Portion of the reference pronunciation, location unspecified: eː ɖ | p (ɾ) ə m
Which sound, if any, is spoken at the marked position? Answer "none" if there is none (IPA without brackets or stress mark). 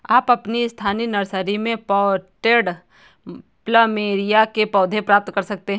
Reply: l